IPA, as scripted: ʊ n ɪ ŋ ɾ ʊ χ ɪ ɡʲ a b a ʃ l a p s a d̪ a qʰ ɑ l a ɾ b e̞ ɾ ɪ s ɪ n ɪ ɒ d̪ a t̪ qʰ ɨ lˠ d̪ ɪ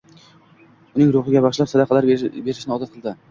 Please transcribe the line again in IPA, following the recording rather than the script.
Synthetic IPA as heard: ʊ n ɪ ŋ ɾ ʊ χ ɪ ɡʲ a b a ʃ l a p s a d̪ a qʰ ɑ l a ɾ b e̞ ɾ ɪ ʃ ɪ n ɪ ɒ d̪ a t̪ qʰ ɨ lˠ d̪ ɪ